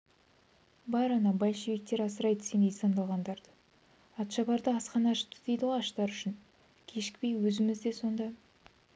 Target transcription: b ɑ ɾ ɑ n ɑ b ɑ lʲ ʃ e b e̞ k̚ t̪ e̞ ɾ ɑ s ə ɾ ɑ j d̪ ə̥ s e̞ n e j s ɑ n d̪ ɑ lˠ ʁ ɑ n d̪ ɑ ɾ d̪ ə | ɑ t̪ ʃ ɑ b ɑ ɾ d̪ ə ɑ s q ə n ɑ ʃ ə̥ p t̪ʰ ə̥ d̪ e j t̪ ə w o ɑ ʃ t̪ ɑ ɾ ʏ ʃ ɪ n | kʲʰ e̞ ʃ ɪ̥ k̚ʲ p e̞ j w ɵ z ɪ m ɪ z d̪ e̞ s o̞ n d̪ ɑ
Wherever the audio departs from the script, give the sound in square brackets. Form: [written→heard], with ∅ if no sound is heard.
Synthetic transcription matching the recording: b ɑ ɾ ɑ n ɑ b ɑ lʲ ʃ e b e̞ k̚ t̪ e̞ ɾ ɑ s ə ɾ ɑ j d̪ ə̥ s e̞ n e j s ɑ n d̪ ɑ lˠ ʁ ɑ n d̪ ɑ ɾ d̪ ə | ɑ t̪ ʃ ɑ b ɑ ɾ d̪ ə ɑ s q [ə→ɑ] n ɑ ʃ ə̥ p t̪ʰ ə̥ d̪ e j [t̪→d̪] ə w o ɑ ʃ t̪ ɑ ɾ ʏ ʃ ɪ n | kʲʰ e̞ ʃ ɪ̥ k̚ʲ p e̞ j w ɵ z ɪ m ɪ z d̪ e̞ s o̞ n d̪ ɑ